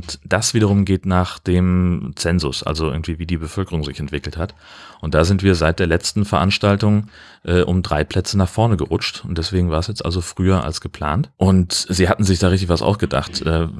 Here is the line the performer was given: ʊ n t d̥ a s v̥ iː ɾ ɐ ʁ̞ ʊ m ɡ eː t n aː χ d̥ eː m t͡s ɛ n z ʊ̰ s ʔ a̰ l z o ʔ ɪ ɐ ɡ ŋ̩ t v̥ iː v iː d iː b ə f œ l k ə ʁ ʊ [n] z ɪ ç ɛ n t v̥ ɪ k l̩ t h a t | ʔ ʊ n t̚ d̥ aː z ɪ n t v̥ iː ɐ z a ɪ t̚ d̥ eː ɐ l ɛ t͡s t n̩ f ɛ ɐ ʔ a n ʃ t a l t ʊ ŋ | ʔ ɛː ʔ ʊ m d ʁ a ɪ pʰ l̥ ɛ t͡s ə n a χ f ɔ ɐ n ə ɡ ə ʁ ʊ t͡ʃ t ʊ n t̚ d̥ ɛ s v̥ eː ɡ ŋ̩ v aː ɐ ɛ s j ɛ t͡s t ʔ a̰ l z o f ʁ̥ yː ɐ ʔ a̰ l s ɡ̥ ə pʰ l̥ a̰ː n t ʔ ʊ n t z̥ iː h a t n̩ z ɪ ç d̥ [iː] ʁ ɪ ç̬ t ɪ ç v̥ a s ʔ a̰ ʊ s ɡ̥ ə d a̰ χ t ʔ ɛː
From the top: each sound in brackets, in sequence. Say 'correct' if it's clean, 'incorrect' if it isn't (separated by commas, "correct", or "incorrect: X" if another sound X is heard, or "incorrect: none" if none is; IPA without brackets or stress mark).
incorrect: ŋ, incorrect: aː